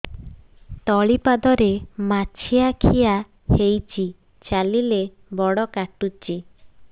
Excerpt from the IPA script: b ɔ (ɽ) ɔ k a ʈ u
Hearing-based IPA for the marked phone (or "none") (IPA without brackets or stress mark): ɽ